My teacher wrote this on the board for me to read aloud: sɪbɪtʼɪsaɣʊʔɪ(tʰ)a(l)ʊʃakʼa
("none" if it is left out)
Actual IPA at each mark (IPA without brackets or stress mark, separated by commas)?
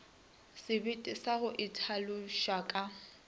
tʰ, l